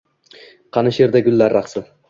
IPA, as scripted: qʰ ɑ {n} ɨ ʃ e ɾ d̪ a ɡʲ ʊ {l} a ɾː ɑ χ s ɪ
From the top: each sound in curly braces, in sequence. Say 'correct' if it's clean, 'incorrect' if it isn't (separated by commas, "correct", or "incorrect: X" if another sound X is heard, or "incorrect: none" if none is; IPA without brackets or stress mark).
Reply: correct, incorrect: lː